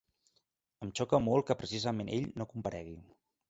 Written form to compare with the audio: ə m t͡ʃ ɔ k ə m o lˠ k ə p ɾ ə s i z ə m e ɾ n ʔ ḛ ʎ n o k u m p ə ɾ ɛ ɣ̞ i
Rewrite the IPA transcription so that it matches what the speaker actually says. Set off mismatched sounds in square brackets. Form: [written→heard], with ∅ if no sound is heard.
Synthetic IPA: ə m t͡ʃ ɔ k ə m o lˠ k ə p ɾ ə s i z ə m e [ɾ→∅] n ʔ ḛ ʎ n o k u m p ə ɾ ɛ ɣ̞ i